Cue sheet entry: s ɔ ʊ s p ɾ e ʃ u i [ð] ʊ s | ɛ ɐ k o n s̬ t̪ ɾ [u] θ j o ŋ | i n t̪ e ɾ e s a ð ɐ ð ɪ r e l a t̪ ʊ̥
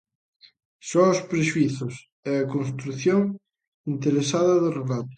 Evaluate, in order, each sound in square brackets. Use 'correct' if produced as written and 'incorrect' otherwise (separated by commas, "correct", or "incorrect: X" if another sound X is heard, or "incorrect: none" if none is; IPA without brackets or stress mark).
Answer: incorrect: θ, correct